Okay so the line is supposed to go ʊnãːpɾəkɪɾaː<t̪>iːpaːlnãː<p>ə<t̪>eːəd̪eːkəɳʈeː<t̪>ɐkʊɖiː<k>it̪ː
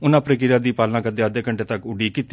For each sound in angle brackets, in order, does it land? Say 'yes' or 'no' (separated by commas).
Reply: no, no, no, yes, yes